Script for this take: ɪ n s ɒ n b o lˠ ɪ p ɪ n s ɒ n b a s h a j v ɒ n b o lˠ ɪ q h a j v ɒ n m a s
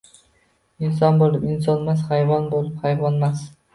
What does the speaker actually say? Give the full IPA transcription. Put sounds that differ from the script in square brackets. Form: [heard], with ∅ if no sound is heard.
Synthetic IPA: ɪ n s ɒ n b o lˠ ɪ p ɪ n s ɒ n [m] a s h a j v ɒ n b o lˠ ɪ [p] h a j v ɒ n m a s